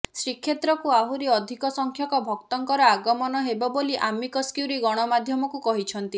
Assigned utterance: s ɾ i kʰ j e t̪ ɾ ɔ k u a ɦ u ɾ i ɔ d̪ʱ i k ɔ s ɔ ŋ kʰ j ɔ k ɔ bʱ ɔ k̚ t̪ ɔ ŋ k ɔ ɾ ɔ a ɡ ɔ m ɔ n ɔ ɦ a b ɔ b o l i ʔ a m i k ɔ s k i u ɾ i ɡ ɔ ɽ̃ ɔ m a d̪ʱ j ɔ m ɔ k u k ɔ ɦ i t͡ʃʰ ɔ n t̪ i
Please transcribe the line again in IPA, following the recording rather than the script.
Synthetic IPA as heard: s ɾ i kʰ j e t̪ ɾ ɔ k u a ɦ u ɾ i ɔ d̪ʱ i k ɔ s ɔ ŋ kʰ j ɔ k ɔ bʱ ɔ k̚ t̪ ɔ ŋ k ɔ ɾ ɔ a ɡ ɔ m ɔ n ɔ ɦ e b ɔ b o l i ʔ a m i k ɔ s k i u ɾ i ɡ ɔ ɽ̃ ɔ m a d̪ʱ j ɔ m ɔ k u k ɔ ɦ i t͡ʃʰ ɔ n t̪ i